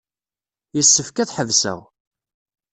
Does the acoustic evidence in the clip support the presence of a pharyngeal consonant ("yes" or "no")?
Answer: yes